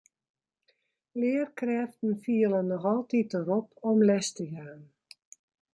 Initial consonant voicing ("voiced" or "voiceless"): voiced